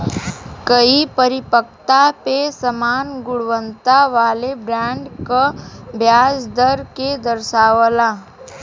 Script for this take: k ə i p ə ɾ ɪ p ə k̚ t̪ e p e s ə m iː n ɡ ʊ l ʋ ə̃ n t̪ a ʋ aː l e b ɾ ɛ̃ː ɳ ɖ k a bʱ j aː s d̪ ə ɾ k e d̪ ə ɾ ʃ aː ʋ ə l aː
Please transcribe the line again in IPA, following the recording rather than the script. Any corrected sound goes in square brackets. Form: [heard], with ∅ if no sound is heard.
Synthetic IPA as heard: k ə i p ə ɾ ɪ p ə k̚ t̪ [a] p e s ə m [aː] n ɡ ʊ [ɽ] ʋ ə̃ n t̪ a ʋ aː l e b ɾ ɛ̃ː ɳ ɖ k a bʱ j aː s d̪ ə ɾ k e d̪ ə ɾ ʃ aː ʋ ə l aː